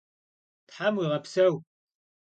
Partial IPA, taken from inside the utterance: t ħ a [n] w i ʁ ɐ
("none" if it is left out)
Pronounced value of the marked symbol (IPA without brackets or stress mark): m